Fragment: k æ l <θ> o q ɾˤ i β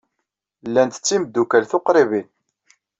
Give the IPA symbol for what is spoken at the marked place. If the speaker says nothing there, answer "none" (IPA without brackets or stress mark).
θ